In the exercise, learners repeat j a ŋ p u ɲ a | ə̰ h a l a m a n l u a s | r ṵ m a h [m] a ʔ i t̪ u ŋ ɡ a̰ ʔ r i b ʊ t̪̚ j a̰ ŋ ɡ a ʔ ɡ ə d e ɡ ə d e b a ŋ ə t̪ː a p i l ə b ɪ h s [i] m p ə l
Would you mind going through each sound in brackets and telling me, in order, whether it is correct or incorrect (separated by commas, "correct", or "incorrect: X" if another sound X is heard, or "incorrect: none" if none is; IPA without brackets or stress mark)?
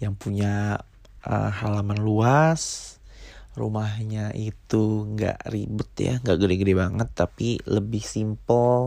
incorrect: ɲ, correct